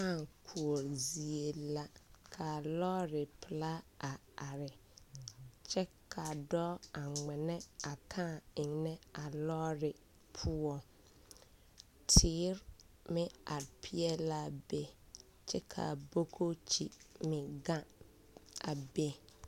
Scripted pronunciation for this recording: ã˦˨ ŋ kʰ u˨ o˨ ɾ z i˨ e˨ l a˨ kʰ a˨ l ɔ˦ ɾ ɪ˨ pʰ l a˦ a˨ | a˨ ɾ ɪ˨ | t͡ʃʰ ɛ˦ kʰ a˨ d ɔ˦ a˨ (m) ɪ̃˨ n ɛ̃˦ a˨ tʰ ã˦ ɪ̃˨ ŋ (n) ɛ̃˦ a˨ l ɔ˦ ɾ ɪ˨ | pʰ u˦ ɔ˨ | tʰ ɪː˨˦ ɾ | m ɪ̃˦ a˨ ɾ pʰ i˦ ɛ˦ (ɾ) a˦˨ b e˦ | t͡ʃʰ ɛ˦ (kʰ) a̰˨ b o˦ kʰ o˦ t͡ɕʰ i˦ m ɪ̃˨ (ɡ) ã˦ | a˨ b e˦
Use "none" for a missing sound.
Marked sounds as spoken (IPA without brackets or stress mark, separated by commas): ŋ͡m, n, l, kʰ, ɡ